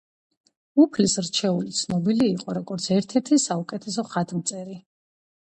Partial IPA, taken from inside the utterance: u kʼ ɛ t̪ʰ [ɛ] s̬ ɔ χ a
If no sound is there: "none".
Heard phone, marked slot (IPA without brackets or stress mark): ɛ